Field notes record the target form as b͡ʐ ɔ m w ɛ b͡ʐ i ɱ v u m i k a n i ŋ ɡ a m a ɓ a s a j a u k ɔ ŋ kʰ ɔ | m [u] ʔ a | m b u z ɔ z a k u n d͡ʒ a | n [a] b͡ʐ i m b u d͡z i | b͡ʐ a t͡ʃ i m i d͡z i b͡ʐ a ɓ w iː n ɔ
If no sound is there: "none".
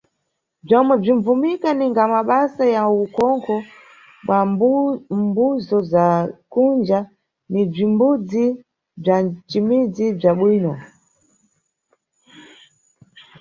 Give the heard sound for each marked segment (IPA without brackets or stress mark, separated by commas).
w, i